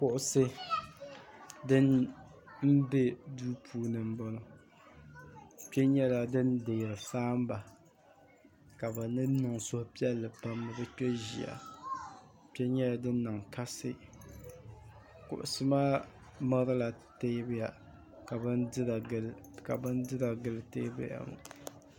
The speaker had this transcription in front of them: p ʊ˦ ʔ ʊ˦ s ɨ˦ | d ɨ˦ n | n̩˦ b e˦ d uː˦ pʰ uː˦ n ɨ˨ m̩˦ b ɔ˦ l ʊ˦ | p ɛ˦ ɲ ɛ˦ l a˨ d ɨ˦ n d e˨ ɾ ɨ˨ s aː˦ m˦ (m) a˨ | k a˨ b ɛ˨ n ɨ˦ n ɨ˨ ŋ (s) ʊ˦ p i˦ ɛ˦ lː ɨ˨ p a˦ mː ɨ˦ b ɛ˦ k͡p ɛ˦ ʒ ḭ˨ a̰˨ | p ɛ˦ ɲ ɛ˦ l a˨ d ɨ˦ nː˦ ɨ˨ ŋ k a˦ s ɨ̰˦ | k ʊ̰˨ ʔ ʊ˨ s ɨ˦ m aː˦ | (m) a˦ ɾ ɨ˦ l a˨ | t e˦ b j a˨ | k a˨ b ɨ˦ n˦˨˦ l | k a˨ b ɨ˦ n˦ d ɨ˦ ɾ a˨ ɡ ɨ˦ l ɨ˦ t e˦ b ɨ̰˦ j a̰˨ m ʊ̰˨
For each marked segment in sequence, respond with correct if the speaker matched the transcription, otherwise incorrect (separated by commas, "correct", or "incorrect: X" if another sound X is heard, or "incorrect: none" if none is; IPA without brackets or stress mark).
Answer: incorrect: b, correct, correct